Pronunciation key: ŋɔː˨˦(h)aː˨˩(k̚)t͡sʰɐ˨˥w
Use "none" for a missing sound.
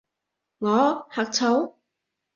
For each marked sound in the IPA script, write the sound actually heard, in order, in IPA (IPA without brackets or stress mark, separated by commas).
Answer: h, k̚